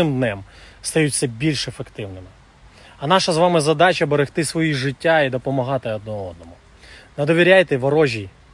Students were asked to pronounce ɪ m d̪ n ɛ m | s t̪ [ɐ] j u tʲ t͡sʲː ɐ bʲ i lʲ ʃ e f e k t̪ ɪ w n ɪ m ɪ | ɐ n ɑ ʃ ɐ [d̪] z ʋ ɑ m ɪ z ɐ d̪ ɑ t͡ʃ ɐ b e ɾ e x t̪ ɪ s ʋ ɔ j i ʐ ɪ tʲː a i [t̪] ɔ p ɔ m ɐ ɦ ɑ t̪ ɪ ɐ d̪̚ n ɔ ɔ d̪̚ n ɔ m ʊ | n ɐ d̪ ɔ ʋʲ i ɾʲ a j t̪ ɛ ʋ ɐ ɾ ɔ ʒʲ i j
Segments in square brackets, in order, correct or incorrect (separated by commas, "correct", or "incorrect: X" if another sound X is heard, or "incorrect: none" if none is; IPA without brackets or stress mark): correct, incorrect: none, incorrect: d̪